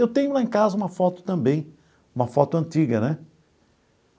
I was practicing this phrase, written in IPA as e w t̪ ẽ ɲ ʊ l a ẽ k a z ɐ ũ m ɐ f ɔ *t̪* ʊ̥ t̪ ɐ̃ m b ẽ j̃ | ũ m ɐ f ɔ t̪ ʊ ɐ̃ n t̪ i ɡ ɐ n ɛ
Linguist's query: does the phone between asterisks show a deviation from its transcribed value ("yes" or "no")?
no